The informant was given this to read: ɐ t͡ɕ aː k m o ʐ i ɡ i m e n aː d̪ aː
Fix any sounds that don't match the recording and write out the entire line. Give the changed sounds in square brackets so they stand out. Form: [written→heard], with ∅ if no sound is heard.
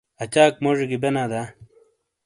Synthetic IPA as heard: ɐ t͡ɕ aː k m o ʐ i ɡ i [m→b] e n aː d̪ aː

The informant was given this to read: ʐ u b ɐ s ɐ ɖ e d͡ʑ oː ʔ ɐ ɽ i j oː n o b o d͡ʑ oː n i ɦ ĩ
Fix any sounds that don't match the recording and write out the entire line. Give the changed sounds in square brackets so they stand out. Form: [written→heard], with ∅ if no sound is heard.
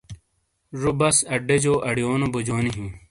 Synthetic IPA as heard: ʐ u b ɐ s ɐ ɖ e d͡ʑ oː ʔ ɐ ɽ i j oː n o b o d͡ʑ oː n i ɦ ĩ

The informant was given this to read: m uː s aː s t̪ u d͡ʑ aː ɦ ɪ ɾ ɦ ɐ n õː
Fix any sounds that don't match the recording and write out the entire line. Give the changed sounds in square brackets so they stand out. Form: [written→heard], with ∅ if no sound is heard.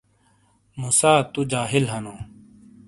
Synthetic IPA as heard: m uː s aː [s→∅] t̪ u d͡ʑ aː ɦ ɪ [ɾ→l] ɦ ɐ n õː

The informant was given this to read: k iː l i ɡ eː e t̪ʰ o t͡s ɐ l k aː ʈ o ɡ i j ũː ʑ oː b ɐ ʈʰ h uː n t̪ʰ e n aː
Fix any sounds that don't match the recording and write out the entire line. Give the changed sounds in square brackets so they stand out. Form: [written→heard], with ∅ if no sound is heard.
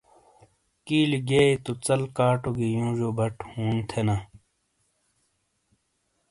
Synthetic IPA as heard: k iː l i ɡ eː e [t̪ʰ→t̪] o t͡s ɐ l k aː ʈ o ɡ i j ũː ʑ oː b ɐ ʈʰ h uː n t̪ʰ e n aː

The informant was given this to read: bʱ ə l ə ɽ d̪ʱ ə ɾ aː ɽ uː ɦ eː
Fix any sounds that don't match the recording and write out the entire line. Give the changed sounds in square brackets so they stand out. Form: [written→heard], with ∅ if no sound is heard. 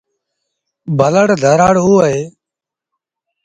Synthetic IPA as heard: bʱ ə l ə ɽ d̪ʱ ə ɾ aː ɽ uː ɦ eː

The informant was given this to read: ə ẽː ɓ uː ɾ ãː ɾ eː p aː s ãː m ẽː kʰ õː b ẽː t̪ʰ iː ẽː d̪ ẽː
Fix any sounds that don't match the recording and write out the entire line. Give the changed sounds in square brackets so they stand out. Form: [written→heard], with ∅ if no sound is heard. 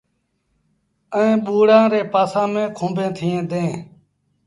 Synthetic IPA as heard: ə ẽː ɓ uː [ɾ→ɽ] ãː ɾ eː p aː s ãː m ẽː kʰ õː b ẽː t̪ʰ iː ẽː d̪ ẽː

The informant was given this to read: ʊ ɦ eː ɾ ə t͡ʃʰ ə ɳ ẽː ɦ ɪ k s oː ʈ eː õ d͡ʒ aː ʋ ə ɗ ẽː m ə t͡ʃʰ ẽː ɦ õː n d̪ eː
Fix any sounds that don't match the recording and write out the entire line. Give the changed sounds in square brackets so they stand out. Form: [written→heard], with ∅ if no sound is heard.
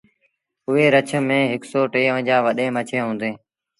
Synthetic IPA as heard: ʊ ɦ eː ɾ ə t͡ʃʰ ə [ɳ→m] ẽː ɦ ɪ k s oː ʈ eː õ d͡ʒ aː ʋ ə ɗ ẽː m ə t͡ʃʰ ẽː ɦ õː n d̪ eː

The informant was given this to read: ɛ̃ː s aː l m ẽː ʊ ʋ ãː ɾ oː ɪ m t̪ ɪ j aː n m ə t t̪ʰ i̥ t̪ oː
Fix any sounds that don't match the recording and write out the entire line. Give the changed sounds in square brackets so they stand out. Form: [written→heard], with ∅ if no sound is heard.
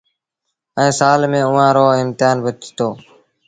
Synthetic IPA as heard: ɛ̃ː s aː l m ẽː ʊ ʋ ãː ɾ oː ɪ m t̪ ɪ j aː n [m→b] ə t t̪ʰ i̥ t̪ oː

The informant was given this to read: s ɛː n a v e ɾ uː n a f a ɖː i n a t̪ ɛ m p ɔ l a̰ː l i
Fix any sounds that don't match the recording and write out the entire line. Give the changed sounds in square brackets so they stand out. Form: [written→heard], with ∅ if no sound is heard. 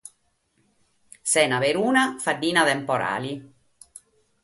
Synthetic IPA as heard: s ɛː n a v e ɾ uː n a f a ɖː [i→iː] n a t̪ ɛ m p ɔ [l→ɾ] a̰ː l i

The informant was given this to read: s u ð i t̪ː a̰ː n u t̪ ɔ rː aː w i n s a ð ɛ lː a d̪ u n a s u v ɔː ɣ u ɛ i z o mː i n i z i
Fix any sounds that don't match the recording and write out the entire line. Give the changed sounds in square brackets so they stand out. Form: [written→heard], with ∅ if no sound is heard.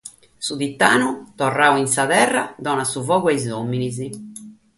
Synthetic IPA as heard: s u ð i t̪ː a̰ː n u t̪ ɔ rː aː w i n s a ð ɛ [lː→rː] a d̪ [u→ɔ] n a s u v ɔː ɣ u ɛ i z o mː i n i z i

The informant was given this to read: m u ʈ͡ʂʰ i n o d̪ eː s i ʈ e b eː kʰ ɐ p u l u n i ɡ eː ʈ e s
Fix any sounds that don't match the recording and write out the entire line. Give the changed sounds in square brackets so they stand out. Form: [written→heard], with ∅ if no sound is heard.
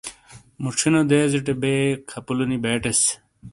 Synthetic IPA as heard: m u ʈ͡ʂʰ i n o d̪ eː [s→z] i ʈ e b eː kʰ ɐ p u l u n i [ɡ→b] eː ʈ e s

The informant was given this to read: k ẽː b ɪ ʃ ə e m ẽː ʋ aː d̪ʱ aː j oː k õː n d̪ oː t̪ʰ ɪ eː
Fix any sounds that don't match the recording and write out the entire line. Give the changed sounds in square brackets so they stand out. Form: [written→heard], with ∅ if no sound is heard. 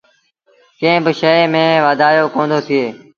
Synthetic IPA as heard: k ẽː b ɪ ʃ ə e m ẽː ʋ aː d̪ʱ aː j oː k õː n d̪ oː t̪ʰ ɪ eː

